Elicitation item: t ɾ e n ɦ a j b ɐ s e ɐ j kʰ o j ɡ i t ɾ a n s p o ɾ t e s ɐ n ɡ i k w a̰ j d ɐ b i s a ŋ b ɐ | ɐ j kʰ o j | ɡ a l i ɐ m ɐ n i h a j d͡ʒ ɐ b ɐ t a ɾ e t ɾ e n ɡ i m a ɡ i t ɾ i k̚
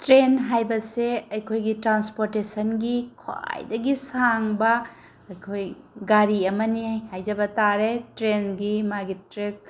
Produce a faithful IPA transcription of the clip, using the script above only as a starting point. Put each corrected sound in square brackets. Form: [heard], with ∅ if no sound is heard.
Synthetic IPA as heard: t ɾ e n ɦ a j b ɐ s e ɐ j kʰ o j ɡ i t ɾ a n s p o ɾ t e s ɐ n ɡ i [kʰ] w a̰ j d ɐ [ɡ] i s a ŋ b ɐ | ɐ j kʰ o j | ɡ a [ɾ] i ɐ m ɐ n i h a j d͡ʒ ɐ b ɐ t a ɾ e t ɾ e n ɡ i m a ɡ i t ɾ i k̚